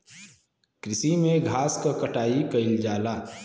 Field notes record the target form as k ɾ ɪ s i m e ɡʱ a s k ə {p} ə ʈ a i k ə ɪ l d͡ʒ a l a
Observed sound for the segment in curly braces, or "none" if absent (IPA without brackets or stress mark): k